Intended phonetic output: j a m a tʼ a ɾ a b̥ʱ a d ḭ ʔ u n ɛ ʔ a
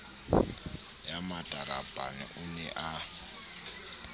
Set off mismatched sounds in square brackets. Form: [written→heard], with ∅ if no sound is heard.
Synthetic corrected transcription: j a m a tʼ a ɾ a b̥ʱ a [d→n] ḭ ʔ u n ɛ ʔ a